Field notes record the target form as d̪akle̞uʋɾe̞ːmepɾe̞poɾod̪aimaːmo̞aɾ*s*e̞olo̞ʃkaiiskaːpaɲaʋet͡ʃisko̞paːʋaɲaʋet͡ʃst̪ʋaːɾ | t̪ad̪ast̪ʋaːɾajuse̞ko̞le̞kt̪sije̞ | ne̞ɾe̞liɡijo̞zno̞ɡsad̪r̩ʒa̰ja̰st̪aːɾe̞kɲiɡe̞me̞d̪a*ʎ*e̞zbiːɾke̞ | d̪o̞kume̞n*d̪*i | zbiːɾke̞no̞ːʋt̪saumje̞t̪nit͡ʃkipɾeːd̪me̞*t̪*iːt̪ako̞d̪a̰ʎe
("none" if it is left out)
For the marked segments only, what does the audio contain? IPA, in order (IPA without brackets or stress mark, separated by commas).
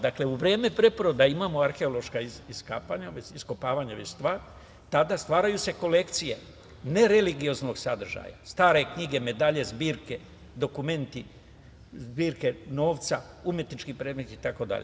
x, ʎ, t̪, t̪